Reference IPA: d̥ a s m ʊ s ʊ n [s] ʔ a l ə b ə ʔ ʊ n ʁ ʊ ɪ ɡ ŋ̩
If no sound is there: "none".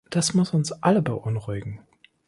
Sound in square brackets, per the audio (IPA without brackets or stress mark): s